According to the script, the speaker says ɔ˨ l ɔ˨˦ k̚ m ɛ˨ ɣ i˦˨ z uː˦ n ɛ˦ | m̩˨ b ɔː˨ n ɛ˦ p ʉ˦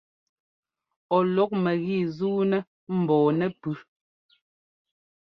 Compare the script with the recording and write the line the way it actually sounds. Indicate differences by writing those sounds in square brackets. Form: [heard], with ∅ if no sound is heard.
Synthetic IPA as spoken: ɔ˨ l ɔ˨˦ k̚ m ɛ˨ ɣ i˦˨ z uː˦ n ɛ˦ | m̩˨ b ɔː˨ n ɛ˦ p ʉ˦